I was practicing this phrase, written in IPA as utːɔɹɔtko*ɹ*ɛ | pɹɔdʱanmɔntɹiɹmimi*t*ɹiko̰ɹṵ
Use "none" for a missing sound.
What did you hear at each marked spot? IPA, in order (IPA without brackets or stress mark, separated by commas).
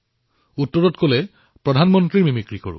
l, k